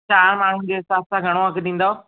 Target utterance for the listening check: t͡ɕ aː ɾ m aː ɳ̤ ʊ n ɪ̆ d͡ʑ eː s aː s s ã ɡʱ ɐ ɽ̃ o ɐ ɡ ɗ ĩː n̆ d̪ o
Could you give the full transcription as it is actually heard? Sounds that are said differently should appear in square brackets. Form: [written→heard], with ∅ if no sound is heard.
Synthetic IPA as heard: t͡ɕ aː ɾ m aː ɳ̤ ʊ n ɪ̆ d͡ʑ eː s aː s s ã ɡʱ ɐ ɽ̃ o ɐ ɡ ɗ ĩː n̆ d̪ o